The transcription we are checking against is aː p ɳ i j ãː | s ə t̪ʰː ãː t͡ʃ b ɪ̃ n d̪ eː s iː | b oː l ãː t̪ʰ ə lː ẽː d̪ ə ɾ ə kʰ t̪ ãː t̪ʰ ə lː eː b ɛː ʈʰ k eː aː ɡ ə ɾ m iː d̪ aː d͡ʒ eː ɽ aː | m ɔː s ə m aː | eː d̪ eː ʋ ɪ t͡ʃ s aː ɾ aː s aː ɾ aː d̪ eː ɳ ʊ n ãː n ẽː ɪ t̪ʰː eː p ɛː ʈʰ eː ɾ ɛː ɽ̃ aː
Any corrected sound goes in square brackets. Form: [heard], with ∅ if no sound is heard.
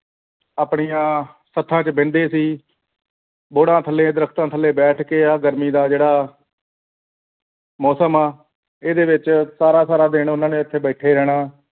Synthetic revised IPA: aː p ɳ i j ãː | s ə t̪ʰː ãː t͡ʃ b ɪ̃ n d̪ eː s iː | b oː [ɽ] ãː t̪ʰ ə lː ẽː d̪ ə ɾ ə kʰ t̪ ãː t̪ʰ ə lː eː b ɛː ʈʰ k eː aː ɡ ə ɾ m iː d̪ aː d͡ʒ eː ɽ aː | m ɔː s ə m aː | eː d̪ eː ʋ ɪ t͡ʃ s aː ɾ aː s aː ɾ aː d̪ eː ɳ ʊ n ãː n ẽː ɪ t̪ʰː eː [b] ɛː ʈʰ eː ɾ ɛː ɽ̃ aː